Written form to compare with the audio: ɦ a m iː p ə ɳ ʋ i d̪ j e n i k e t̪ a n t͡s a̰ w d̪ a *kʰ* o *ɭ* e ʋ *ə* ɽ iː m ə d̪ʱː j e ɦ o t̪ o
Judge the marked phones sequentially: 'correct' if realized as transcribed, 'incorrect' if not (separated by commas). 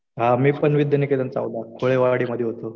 correct, correct, incorrect